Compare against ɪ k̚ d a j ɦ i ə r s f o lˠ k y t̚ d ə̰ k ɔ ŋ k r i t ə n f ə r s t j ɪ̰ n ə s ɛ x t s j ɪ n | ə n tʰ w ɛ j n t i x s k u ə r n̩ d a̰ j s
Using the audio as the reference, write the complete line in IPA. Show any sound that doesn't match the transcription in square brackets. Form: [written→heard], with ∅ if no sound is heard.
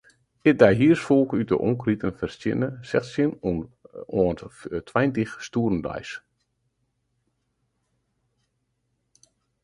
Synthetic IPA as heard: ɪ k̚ d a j ɦ i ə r s f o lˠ k y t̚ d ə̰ [k→ʔ] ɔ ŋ k r i t ə n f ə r s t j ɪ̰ n ə s ɛ x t s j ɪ n | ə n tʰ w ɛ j n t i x s [k→t] u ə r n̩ d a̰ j s